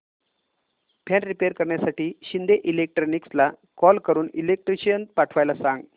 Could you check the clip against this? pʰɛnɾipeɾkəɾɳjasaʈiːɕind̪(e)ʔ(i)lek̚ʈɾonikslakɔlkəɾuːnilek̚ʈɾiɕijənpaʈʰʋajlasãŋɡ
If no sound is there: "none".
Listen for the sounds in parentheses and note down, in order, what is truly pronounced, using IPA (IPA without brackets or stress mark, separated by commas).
e, i